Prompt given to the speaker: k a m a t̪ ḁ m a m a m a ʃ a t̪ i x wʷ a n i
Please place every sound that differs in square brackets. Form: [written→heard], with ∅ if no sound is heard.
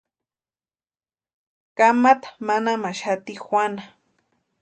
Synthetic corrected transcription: k a m a t̪ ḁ m a [m→n] a m a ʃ a t̪ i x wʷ a n [i→a]